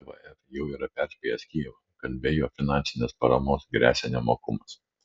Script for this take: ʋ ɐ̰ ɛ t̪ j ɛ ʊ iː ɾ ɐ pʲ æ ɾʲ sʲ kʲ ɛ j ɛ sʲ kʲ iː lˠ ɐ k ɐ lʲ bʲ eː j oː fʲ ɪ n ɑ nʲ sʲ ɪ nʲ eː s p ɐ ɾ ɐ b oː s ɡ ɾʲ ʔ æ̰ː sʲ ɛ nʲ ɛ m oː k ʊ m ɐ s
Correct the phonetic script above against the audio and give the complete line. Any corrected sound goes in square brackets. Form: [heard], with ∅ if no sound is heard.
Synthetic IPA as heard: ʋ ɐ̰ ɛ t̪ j ɛ ʊ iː ɾ ɐ pʲ æ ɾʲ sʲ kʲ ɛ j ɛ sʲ kʲ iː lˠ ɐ k ɐ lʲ bʲ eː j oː fʲ ɪ n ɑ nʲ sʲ ɪ nʲ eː s p ɐ ɾ ɐ [m] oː s ɡ ɾʲ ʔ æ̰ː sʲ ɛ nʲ ɛ m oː k ʊ m ɐ s